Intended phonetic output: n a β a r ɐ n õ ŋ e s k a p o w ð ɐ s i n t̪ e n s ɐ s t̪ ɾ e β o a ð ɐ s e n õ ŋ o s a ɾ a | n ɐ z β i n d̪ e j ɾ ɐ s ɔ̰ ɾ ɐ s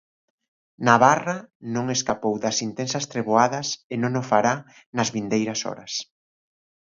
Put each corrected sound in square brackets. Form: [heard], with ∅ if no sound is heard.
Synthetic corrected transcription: n a β a r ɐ n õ ŋ e s k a p o w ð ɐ s i n t̪ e n s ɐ s t̪ ɾ e β o a ð ɐ s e n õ ŋ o [f] a ɾ a | n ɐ z β i n d̪ e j ɾ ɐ s ɔ̰ ɾ ɐ s